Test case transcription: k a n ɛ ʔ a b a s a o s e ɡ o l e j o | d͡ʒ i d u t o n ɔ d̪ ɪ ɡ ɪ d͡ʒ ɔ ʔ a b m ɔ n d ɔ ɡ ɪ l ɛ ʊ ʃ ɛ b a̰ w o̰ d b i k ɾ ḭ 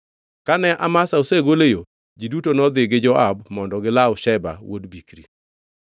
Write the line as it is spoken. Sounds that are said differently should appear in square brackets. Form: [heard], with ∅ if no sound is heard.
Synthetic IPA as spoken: k a n ɛ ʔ a [m] a s a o s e ɡ o l e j o | d͡ʒ i d u t o n ɔ d̪ ɪ ɡ ɪ d͡ʒ ɔ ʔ a b m ɔ n d ɔ ɡ ɪ l [a] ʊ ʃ ɛ b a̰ w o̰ d b i k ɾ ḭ